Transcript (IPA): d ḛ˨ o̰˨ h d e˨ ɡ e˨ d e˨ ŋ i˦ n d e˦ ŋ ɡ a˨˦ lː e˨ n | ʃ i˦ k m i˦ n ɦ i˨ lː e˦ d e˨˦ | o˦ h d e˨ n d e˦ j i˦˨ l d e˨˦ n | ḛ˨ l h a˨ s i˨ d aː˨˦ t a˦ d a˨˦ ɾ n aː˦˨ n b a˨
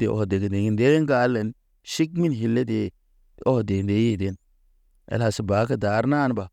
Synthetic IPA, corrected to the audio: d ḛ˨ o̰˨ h d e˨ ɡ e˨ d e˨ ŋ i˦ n d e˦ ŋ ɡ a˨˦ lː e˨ n | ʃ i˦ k m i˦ n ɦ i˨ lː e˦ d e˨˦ | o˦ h d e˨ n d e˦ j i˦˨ d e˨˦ n | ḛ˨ l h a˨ s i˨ b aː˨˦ k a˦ d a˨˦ ɾ n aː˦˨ n b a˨